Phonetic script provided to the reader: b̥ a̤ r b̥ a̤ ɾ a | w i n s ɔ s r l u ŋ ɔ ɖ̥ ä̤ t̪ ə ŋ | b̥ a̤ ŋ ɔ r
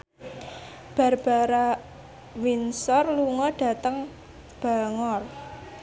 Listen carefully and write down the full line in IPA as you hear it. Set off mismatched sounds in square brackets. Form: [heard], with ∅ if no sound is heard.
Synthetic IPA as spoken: b̥ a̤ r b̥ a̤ ɾ a | w i n s ɔ [∅] r l u ŋ ɔ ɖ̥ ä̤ t̪ ə ŋ | b̥ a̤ ŋ ɔ r